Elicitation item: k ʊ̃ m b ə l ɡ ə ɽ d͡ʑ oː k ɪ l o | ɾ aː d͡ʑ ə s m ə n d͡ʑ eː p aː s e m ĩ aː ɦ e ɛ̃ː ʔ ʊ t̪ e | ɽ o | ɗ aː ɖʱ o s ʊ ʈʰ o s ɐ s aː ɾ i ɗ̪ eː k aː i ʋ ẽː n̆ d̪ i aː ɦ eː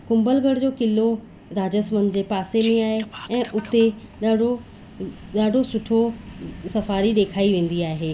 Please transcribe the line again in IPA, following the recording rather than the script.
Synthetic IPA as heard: k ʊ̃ m b ə l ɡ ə ɽ d͡ʑ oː k ɪ l o | ɾ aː d͡ʑ ə s m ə n d͡ʑ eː p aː s e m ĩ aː ɦ e ɛ̃ː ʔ ʊ t̪ e | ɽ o | ɗ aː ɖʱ o s ʊ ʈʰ o s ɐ f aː ɾ i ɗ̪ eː kʰ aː i ʋ ẽː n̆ d̪ i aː ɦ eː